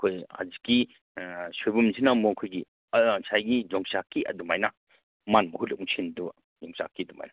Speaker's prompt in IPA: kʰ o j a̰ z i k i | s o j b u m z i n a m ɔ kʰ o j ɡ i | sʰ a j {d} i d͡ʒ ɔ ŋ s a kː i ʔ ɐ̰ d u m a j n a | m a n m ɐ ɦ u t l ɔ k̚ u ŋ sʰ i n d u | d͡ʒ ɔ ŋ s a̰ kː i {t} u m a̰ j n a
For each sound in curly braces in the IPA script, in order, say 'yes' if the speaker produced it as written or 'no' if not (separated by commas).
no, no